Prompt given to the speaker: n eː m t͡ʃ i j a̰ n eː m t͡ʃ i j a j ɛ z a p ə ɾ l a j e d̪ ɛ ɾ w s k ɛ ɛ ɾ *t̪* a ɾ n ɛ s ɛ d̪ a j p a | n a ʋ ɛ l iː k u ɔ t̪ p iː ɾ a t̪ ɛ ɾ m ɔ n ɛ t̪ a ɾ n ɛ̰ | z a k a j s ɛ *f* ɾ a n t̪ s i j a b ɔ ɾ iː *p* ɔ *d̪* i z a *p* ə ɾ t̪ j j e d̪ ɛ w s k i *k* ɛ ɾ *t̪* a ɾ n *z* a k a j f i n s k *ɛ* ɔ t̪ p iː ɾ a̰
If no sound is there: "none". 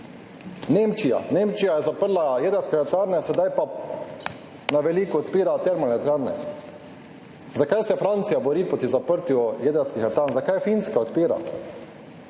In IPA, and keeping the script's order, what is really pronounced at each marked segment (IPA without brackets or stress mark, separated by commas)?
t̪, f, p, t̪, p, x, t̪, z, a